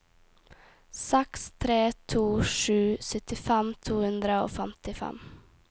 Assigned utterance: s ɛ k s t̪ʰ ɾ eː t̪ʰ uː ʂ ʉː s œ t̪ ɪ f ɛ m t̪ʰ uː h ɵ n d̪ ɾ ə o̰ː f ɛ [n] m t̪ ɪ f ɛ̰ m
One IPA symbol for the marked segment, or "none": none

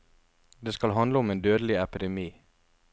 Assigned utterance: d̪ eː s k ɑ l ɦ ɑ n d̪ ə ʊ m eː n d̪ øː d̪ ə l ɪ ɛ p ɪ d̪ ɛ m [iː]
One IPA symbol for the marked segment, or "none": iː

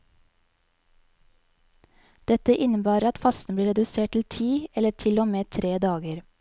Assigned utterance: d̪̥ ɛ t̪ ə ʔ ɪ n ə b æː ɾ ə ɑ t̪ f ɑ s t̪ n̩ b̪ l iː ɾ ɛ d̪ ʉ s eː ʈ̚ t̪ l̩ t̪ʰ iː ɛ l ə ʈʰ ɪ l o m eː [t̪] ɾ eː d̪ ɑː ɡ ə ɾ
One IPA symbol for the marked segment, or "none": t̪ʰ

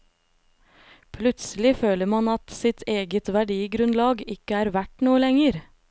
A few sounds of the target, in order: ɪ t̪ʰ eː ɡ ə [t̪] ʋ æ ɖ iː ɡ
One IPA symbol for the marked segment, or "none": t̪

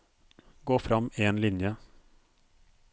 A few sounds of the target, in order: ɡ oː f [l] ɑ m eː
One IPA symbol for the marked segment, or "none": ɾ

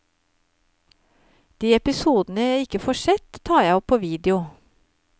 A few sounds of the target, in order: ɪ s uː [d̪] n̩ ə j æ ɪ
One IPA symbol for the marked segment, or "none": d̪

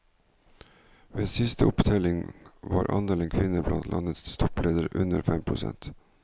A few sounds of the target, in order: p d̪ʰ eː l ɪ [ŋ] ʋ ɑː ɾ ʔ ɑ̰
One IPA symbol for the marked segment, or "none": ŋ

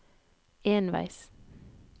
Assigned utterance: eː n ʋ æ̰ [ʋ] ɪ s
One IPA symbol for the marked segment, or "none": none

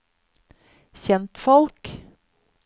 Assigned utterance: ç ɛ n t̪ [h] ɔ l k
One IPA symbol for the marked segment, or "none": f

